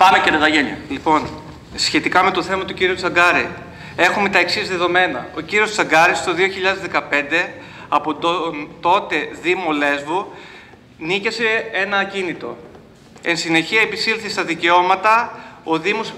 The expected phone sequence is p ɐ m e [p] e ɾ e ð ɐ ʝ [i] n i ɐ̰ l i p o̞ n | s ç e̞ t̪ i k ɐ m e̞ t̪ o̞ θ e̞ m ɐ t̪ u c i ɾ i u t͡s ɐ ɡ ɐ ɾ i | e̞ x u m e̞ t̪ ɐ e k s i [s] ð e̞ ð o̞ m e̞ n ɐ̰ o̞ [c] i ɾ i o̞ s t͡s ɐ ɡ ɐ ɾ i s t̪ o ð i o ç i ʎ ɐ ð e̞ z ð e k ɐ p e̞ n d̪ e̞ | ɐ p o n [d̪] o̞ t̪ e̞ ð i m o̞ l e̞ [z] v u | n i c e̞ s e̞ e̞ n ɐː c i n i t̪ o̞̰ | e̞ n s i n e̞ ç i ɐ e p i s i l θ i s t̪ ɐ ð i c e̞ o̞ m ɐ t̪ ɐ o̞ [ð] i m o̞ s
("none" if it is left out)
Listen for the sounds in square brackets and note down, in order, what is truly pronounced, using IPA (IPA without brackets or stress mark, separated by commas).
c, e, z, c, t̪, z, ð